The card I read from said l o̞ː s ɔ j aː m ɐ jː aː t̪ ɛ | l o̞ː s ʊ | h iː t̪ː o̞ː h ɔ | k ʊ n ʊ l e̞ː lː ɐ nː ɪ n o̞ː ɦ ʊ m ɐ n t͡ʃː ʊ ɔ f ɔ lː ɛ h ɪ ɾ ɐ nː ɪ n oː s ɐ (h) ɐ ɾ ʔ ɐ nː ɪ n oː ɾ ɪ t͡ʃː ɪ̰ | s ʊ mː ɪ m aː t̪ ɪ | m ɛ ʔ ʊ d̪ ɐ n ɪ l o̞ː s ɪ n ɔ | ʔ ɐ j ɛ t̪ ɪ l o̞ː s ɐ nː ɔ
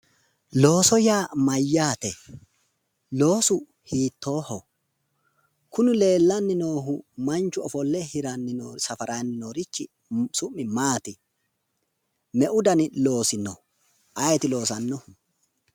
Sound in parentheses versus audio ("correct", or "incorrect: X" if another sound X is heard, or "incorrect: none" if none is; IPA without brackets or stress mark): incorrect: f